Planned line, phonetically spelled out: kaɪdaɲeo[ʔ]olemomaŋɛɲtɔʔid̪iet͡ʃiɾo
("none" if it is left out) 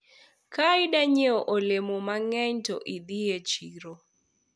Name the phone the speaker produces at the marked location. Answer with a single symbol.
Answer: ʔ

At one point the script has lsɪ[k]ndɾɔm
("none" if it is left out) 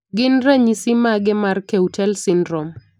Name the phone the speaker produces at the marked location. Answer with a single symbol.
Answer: none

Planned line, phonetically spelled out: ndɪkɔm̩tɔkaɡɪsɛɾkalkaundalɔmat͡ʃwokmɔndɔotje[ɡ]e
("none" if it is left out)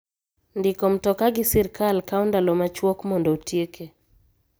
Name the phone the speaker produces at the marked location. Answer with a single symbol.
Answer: k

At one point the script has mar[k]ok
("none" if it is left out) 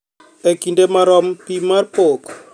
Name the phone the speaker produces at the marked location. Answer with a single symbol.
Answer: p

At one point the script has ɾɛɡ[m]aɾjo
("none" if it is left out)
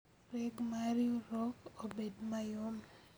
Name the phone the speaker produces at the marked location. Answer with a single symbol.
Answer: m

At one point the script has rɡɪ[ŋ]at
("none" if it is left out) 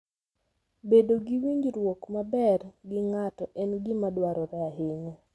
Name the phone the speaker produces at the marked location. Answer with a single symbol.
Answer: ŋ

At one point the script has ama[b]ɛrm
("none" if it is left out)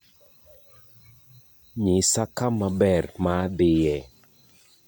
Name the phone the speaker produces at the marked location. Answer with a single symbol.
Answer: b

